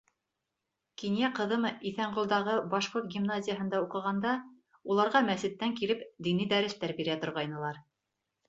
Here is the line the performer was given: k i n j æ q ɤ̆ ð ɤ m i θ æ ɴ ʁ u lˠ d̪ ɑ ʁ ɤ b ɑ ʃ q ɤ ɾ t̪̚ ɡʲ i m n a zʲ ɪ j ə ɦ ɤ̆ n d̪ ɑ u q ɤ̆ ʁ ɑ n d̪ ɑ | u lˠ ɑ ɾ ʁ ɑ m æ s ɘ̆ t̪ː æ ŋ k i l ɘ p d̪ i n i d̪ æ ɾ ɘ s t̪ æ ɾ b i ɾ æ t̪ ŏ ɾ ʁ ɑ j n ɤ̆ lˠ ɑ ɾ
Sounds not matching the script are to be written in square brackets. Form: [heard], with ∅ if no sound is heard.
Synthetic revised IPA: k i n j æ q ɤ̆ ð ɤ m i θ æ ɴ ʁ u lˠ d̪ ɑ ʁ ɤ b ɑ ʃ q [o] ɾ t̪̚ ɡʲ i m n a zʲ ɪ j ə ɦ ɤ̆ n d̪ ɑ u q ɤ̆ ʁ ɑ n d̪ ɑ | u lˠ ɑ ɾ ʁ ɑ m æ s ɘ̆ t̪ː æ ŋ k i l ɘ p d̪ i n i d̪ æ ɾ ɘ s t̪ æ ɾ b i ɾ æ t̪ ŏ ɾ ʁ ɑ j n ɤ̆ lˠ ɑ ɾ